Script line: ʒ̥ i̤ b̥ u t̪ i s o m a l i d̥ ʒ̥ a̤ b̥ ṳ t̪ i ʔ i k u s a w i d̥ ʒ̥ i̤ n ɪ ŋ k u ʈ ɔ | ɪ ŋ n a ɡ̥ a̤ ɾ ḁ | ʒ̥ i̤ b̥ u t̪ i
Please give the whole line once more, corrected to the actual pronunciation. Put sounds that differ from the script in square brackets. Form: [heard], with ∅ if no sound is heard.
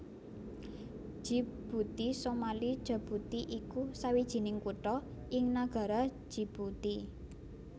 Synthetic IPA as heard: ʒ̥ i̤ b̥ u t̪ i s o m a l i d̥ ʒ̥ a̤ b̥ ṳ t̪ i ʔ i k u s a w i d̥ ʒ̥ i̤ n ɪ ŋ k u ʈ ɔ | ɪ ŋ n a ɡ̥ a̤ ɾ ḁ | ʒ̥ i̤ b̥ u t̪ i

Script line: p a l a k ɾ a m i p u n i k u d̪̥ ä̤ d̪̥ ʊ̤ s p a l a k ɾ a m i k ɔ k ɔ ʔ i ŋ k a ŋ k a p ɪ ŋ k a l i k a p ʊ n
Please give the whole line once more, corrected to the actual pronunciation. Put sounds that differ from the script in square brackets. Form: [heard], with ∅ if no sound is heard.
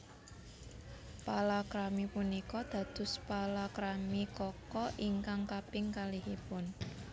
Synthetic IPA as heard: p a l a k ɾ a m i p u n i k [ɔ] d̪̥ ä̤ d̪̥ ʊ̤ s p a l a k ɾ a m i k ɔ k ɔ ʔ i ŋ k a ŋ k a p ɪ ŋ k a l i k [i] p ʊ n

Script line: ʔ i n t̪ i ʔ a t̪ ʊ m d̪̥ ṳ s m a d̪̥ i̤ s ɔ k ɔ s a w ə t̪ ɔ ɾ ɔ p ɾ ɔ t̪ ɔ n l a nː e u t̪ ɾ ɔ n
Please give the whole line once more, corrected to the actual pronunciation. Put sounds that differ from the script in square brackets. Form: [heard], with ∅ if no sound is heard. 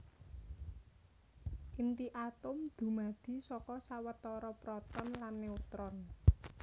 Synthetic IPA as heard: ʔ i n t̪ i ʔ a t̪ ʊ m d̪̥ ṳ [∅] m a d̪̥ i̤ s ɔ k ɔ s a w ə t̪ ɔ ɾ ɔ p ɾ ɔ t̪ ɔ n l a nː e u t̪ ɾ ɔ n

